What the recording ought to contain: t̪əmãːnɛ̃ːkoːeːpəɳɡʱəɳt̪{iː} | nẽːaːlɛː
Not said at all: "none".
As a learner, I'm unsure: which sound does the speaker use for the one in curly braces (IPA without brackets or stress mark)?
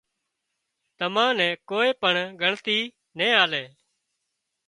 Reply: iː